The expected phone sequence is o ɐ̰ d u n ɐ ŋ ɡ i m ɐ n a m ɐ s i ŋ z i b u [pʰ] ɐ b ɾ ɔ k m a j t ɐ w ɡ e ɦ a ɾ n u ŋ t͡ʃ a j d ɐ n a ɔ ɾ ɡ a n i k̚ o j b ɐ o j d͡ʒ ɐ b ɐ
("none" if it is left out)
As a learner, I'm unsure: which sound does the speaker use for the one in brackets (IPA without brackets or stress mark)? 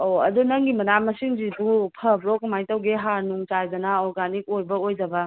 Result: pʰ